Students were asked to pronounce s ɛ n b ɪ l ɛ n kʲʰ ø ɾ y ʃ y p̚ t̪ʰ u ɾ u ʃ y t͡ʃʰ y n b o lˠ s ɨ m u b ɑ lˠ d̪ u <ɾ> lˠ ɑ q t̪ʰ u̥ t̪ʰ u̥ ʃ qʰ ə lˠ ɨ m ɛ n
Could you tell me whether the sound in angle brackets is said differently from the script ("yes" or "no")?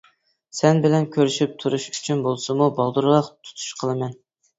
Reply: no